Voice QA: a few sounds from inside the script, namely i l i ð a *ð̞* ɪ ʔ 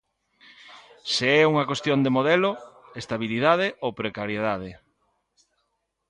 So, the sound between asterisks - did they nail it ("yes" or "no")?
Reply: yes